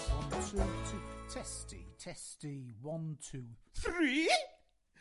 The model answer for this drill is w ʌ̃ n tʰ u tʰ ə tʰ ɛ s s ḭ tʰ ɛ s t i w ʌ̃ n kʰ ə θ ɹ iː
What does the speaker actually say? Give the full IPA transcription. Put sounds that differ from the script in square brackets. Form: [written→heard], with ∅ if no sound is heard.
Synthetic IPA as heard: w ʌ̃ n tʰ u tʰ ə tʰ ɛ s [s→t] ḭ tʰ ɛ s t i w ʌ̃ n [kʰ→tʰ] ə θ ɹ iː